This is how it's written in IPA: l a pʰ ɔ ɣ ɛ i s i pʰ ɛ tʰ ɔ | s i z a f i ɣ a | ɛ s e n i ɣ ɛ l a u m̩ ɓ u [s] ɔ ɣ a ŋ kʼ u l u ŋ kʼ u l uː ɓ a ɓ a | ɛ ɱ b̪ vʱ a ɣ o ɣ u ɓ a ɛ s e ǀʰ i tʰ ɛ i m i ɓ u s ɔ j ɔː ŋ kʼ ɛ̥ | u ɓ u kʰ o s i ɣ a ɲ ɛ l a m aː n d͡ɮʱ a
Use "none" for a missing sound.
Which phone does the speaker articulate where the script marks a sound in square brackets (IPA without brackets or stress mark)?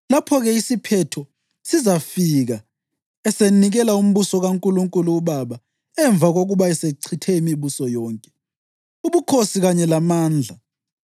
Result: s